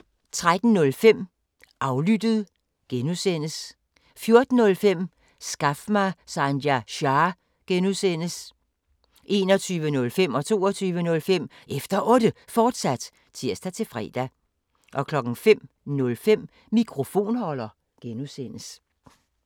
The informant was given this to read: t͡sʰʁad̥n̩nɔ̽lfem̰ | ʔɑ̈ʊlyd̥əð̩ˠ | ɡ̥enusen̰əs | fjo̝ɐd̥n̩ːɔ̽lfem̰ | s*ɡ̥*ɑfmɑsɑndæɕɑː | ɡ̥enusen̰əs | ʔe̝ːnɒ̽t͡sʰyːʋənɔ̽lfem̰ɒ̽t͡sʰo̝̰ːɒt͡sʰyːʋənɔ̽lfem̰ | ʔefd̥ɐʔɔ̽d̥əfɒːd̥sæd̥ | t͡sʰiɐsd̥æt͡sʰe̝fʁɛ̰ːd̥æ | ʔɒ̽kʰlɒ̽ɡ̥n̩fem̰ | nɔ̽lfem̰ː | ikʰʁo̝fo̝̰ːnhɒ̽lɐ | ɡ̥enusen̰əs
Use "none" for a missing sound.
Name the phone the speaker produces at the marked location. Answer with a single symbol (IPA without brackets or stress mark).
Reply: ɡ̥